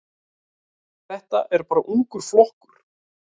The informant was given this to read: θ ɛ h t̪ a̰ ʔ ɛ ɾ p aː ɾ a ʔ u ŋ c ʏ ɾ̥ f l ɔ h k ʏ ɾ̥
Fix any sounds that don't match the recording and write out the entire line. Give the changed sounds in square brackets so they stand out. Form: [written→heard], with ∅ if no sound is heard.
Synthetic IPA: θ ɛ h t̪ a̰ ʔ ɛ ɾ p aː ɾ a ʔ u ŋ [c→k] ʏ ɾ̥ f l ɔ h k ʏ ɾ̥